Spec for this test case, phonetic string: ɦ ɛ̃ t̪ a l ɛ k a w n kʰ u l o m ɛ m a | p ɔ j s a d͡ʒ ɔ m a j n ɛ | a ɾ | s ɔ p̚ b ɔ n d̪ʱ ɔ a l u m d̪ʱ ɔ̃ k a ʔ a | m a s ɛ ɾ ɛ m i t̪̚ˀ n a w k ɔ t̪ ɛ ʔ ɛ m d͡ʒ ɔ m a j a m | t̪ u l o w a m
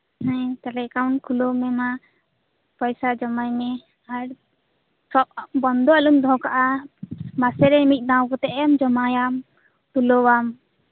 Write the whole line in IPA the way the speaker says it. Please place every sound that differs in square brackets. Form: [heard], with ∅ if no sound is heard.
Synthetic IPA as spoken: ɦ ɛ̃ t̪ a l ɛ k a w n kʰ u l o m ɛ m a | p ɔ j s a d͡ʒ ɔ m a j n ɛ | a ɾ | s ɔ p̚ b ɔ n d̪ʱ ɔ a l u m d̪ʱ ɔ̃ k a ʔ a | m a s ɛ ɾ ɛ m i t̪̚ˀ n a w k ɔ t̪ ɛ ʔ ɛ m d͡ʒ ɔ m a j a m | t̪ u l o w a m